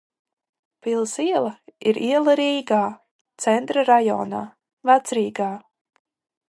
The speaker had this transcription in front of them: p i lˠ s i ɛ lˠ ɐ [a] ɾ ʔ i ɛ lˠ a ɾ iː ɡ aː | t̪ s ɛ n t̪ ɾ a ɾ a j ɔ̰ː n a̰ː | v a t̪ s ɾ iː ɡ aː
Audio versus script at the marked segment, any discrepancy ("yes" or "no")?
yes